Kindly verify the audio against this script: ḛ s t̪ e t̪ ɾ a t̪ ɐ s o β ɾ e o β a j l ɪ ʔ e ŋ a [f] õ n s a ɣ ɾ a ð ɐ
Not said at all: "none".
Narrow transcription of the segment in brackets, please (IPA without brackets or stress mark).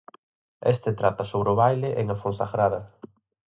f